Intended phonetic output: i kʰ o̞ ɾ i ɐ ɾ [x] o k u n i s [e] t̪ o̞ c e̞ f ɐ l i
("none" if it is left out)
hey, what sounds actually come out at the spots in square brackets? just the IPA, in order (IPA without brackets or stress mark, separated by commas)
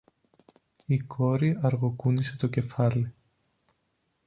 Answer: ɣ, e